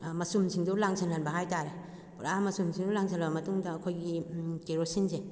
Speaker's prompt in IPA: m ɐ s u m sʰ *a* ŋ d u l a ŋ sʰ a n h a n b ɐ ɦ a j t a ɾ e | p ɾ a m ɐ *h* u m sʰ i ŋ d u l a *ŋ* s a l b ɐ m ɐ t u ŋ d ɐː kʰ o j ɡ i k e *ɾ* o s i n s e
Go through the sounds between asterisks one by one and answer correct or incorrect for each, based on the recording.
incorrect: i, incorrect: s, correct, correct

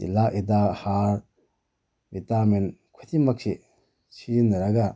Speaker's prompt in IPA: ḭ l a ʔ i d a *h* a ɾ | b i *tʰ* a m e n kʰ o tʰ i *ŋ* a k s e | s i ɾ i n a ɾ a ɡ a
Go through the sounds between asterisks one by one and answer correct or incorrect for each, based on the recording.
correct, incorrect: t, incorrect: m

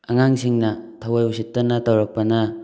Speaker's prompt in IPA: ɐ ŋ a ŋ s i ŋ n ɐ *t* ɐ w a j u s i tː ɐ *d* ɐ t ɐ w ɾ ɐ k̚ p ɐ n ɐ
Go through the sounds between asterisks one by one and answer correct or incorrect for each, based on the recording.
incorrect: tʰ, incorrect: n

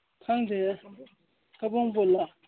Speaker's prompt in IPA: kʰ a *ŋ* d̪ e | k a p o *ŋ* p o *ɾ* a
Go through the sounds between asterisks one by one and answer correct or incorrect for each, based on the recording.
correct, correct, incorrect: l

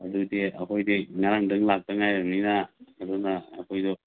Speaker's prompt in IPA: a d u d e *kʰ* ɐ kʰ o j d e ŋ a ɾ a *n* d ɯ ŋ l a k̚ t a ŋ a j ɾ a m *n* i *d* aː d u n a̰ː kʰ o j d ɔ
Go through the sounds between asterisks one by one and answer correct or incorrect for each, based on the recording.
incorrect: none, incorrect: ŋ, correct, incorrect: n

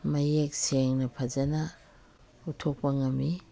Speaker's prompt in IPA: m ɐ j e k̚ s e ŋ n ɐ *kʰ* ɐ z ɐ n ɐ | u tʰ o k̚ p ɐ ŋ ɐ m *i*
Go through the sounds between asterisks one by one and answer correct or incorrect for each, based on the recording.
incorrect: pʰ, correct

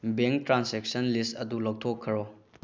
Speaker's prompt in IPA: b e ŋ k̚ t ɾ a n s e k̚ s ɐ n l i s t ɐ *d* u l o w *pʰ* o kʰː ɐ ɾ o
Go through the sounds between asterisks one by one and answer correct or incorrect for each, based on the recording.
correct, incorrect: tʰ

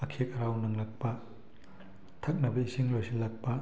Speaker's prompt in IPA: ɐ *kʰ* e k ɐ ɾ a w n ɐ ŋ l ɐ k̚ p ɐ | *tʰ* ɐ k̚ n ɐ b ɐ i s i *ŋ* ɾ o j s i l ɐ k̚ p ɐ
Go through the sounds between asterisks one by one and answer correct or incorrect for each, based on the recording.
correct, correct, correct

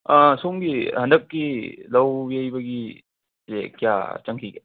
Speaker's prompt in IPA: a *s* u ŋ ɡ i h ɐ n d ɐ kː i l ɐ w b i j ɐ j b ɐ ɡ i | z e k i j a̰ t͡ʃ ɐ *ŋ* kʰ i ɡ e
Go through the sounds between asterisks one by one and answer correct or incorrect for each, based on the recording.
correct, correct

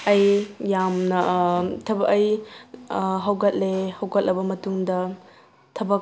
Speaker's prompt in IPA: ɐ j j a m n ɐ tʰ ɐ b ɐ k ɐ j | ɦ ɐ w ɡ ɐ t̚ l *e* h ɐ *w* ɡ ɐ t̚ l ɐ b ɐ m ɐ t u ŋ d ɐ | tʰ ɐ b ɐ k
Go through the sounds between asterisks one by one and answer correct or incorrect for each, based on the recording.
correct, correct

